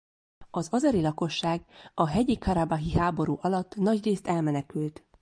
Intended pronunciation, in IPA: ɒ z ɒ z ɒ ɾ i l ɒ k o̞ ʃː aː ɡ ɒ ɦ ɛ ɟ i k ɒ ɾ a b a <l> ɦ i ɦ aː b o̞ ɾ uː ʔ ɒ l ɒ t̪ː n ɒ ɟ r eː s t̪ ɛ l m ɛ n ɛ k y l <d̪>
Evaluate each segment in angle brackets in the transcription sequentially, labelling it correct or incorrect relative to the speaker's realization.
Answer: incorrect: none, incorrect: t̪

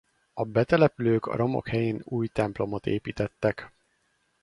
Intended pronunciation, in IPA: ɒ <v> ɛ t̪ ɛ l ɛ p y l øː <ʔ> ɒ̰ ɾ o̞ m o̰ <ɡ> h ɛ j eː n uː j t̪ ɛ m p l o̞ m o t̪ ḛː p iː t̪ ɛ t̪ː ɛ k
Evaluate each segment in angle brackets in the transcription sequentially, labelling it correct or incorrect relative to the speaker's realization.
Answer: incorrect: b, incorrect: k, incorrect: k

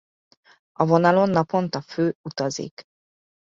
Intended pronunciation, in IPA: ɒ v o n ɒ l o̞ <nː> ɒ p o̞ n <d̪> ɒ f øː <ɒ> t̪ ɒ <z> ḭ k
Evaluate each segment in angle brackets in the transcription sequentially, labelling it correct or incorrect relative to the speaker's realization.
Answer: correct, incorrect: t̪, incorrect: u, correct

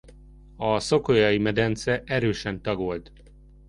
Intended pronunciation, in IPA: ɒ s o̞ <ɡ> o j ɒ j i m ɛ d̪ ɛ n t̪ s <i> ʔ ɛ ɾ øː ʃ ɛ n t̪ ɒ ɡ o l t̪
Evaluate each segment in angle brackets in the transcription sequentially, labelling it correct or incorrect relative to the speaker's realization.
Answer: incorrect: k, incorrect: ɛ

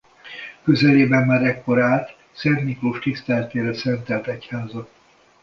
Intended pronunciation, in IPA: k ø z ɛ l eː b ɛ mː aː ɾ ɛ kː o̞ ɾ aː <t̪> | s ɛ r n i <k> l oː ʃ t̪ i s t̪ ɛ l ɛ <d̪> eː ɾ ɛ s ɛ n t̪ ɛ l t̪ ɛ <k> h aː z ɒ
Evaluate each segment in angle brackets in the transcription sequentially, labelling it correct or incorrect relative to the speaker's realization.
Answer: correct, correct, incorrect: t̪, incorrect: c

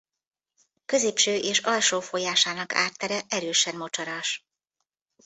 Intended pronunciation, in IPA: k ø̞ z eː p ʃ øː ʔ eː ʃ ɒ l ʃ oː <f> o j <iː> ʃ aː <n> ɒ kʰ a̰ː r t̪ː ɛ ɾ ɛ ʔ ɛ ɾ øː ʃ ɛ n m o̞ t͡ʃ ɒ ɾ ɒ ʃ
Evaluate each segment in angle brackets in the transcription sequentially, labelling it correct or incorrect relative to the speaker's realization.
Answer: correct, incorrect: aː, correct

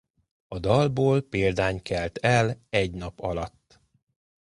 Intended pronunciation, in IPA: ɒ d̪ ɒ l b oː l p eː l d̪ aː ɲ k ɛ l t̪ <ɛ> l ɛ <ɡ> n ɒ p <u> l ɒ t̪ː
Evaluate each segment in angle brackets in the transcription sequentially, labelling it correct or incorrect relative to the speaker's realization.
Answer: correct, incorrect: ɟ, incorrect: ɒ

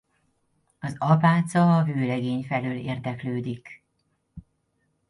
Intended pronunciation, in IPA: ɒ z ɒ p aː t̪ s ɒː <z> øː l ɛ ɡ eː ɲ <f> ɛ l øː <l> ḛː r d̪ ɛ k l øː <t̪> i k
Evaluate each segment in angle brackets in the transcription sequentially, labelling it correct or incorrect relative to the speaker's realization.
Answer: incorrect: v, correct, correct, incorrect: d̪

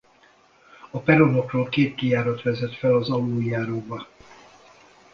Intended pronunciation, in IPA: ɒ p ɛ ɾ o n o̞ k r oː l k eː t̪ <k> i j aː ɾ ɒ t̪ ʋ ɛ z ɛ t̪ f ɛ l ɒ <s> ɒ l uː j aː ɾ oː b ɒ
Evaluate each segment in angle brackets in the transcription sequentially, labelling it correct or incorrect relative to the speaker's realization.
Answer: correct, incorrect: z

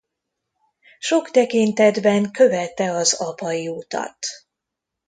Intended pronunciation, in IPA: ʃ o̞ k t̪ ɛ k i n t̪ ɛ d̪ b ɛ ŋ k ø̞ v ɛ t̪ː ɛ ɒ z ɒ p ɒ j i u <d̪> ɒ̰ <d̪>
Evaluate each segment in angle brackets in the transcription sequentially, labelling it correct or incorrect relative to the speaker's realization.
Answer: incorrect: t̪, incorrect: t̪

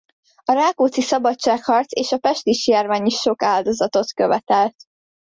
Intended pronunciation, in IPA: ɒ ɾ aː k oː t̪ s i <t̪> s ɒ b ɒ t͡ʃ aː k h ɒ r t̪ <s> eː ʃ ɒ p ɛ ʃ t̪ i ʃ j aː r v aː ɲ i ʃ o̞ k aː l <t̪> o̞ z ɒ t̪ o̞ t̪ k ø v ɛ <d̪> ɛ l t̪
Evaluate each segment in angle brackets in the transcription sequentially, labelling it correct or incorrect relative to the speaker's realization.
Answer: incorrect: none, correct, incorrect: d̪, incorrect: t̪

